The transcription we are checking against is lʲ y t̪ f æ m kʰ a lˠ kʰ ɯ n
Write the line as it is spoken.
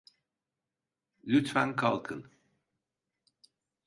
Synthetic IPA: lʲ y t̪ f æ n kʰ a lˠ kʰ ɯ n